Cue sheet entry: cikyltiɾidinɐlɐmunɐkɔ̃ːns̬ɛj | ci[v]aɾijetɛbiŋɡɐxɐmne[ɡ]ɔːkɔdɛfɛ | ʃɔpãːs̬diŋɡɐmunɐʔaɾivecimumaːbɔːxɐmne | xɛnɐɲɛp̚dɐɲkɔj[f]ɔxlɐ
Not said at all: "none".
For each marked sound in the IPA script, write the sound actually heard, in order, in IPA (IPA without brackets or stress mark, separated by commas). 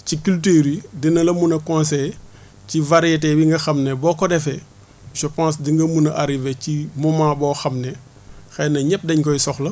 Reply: v, b, s